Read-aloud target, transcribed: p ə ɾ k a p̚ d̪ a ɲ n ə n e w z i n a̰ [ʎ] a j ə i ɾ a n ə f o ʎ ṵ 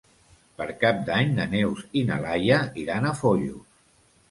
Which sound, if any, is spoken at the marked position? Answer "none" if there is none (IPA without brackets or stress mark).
l